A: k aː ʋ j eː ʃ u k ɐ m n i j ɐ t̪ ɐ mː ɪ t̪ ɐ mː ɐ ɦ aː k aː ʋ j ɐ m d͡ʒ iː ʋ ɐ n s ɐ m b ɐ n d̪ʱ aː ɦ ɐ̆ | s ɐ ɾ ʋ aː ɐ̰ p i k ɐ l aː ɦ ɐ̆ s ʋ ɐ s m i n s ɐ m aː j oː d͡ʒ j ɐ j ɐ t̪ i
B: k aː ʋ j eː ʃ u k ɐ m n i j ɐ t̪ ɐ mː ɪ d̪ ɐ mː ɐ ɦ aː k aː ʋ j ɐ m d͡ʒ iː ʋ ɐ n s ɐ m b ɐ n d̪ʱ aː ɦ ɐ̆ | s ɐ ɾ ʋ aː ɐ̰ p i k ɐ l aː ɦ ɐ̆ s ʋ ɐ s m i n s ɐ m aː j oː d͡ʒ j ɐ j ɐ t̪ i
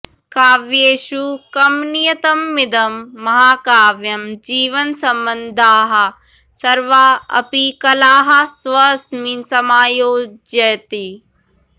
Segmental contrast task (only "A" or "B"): B